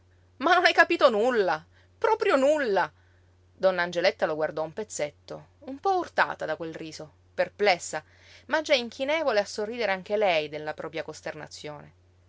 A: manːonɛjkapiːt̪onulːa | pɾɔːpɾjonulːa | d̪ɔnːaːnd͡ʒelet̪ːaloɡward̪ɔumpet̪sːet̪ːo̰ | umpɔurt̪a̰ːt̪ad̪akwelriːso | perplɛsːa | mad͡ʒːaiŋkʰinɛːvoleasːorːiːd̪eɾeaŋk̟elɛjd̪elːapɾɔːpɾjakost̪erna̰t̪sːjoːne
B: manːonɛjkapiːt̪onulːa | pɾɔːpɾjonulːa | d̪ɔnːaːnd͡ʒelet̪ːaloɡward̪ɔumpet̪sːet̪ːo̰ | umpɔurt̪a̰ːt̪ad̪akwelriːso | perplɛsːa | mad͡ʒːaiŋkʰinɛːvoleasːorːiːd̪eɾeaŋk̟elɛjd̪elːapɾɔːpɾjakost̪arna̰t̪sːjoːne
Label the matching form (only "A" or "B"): A